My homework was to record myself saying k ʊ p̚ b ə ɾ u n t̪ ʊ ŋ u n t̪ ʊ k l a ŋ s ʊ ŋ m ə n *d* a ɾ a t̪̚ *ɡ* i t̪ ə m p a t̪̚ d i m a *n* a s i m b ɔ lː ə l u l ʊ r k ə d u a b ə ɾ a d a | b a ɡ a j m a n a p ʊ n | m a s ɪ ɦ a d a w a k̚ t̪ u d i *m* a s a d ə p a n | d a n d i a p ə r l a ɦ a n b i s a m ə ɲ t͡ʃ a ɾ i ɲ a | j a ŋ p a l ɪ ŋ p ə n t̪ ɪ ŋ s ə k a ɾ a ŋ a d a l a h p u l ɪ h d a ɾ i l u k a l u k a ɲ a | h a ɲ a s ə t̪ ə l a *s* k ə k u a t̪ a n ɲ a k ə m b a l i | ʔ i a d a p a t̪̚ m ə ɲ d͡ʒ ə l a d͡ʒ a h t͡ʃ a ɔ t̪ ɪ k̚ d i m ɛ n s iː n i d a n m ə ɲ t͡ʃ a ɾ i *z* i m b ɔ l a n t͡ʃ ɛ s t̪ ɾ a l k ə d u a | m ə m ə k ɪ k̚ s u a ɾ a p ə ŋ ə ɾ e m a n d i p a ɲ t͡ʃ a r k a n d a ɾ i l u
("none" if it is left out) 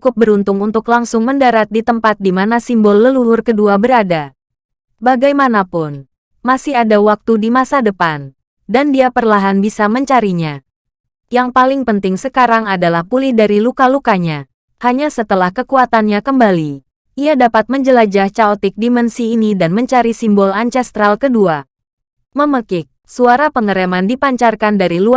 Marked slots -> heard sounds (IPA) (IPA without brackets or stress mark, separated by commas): d, d, n, m, h, s